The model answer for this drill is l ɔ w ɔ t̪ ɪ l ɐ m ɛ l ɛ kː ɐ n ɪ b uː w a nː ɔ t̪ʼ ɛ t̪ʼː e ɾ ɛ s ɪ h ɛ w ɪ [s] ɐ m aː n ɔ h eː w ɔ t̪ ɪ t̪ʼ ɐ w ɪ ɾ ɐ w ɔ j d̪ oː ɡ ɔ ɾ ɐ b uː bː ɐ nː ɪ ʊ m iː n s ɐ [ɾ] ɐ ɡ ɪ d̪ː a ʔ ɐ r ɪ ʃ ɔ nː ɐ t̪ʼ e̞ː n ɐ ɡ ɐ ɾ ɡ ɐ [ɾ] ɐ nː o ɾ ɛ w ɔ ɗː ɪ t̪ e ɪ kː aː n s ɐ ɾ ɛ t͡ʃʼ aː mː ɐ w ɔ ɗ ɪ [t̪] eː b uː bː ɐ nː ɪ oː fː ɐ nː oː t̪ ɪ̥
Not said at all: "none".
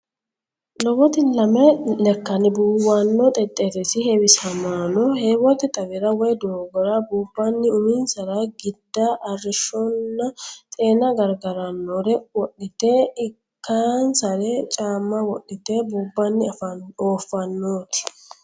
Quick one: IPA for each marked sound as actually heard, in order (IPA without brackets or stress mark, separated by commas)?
s, ɾ, ɾ, t̪